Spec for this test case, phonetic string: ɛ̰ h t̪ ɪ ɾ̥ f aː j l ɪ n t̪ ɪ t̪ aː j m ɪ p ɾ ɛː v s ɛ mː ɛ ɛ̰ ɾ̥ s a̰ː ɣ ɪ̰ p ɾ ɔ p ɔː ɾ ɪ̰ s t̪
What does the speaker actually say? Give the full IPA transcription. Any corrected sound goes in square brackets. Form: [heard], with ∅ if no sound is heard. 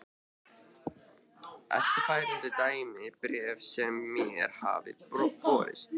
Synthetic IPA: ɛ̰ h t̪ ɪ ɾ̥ f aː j [ɾ] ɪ n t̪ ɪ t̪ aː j m ɪ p ɾ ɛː v s ɛ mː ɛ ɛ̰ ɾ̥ [h] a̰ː [v] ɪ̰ p ɾ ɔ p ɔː ɾ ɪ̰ s t̪